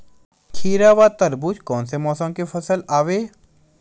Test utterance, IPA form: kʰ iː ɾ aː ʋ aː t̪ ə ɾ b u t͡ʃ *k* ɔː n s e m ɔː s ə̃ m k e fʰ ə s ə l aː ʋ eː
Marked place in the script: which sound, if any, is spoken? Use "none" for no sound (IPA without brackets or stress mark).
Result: k